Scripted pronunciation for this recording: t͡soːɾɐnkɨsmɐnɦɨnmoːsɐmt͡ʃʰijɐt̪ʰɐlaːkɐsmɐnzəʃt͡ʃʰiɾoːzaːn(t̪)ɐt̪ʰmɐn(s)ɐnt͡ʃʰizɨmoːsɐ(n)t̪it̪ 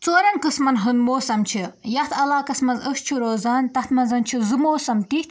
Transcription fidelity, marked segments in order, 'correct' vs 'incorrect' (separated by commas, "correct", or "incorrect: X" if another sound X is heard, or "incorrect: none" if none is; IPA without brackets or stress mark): correct, incorrect: z, incorrect: m